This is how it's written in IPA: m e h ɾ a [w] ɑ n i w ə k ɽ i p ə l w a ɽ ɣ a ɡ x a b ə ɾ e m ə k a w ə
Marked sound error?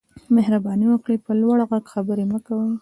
yes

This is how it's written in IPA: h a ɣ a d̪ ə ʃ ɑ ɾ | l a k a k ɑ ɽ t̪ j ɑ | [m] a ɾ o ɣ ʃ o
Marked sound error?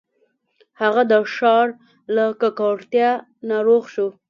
yes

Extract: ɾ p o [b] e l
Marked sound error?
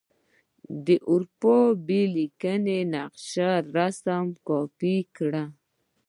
no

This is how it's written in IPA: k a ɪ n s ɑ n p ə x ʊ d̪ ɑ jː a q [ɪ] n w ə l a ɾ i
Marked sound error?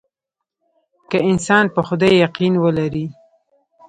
yes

